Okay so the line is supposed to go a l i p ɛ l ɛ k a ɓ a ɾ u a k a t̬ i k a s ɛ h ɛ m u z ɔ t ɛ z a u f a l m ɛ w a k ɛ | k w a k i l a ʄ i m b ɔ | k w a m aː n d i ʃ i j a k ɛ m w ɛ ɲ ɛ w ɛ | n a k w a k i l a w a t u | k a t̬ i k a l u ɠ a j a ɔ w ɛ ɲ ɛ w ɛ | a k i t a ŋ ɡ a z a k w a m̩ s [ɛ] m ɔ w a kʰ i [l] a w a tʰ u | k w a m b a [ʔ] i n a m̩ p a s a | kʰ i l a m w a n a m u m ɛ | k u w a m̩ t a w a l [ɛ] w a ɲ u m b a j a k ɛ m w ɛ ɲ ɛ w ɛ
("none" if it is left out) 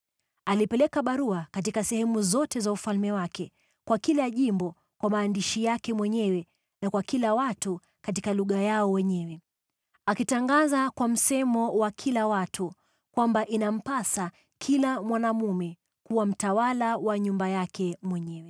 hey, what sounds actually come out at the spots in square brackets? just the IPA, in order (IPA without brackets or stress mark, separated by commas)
ɛ, l, ʔ, a